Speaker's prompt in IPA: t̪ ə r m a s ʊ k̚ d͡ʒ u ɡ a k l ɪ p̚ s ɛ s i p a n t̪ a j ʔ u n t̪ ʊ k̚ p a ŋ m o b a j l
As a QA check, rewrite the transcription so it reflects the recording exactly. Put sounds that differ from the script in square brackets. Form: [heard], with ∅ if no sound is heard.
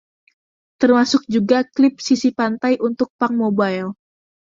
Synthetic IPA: t̪ ə r m a s ʊ k̚ d͡ʒ u ɡ a k l ɪ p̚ s [i] s i p a n t̪ a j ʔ u n t̪ ʊ k̚ p a ŋ m o b a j l

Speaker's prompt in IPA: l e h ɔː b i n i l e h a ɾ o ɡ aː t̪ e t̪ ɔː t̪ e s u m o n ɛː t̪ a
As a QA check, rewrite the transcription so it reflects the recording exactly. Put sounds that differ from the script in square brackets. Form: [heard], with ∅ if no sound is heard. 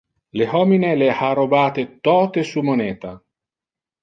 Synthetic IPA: l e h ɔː [m] i n [e] l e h a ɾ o [b] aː t̪ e t̪ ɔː t̪ e s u m o n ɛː t̪ a

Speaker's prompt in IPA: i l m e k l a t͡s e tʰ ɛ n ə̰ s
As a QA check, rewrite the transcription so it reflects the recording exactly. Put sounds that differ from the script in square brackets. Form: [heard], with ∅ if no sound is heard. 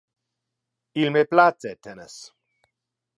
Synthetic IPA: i l m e [p] l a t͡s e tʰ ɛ n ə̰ s

